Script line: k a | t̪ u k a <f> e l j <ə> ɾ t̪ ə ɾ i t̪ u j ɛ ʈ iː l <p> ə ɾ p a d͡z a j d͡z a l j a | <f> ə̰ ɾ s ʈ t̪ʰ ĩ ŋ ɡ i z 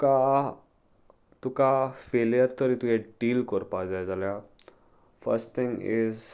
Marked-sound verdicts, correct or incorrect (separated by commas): correct, correct, incorrect, correct